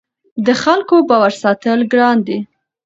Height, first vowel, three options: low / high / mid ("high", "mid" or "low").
mid